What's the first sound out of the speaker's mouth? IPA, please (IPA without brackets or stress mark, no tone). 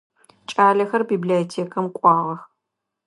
t͡ʃʼ